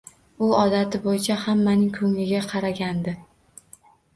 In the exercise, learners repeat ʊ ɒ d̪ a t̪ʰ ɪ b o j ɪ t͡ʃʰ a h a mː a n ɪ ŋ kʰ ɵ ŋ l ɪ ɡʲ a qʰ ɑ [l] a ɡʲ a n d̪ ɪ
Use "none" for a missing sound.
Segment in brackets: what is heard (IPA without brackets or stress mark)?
ɾ